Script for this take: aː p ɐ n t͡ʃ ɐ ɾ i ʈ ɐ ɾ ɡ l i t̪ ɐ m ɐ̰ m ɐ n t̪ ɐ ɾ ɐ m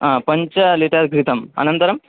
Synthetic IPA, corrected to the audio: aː p ɐ ɲ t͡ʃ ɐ l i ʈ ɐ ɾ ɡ ɾ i t̪ ɐ m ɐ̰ n ɐ n t̪ ɐ ɾ ɐ m